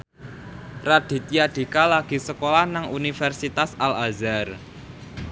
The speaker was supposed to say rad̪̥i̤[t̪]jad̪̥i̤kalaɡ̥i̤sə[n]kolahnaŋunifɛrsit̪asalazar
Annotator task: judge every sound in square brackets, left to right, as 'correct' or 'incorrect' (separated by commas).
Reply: correct, incorrect